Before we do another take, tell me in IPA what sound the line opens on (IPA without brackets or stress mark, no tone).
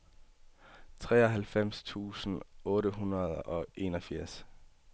t͡sʰ